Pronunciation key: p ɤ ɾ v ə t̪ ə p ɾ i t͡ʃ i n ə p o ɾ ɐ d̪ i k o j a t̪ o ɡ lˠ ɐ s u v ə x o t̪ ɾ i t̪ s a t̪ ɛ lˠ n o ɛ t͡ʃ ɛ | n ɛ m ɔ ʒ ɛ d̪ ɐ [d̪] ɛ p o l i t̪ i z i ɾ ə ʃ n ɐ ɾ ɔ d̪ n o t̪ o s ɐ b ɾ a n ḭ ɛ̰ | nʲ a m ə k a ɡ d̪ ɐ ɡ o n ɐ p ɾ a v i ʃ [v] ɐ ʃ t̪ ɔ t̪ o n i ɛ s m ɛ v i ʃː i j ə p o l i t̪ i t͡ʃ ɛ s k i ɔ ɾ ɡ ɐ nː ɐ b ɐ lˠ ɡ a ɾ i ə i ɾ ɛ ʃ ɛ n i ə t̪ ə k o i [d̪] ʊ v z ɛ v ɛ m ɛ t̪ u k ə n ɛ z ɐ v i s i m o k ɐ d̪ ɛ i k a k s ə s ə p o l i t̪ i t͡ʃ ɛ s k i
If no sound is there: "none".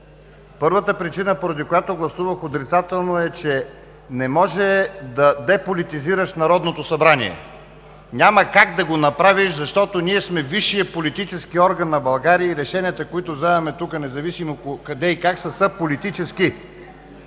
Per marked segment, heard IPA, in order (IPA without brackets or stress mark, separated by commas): d̪, z, t̪